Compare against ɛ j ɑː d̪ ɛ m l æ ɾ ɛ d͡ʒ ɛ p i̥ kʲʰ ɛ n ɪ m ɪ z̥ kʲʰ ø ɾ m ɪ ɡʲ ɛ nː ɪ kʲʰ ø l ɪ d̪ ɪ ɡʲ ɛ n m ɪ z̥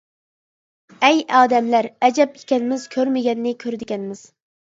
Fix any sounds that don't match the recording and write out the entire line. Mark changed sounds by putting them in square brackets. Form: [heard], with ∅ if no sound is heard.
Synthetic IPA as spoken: ɛ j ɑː d̪ ɛ m l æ ɾ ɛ d͡ʒ ɛ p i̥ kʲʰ ɛ n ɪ m ɪ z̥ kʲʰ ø ɾ m ɪ ɡʲ ɛ nː ɪ kʲʰ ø [ɾ] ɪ d̪ ɪ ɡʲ ɛ n m ɪ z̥